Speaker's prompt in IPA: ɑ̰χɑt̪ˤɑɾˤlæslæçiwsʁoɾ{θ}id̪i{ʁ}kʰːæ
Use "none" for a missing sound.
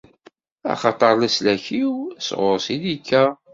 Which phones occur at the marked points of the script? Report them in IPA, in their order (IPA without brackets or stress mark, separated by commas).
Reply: s, none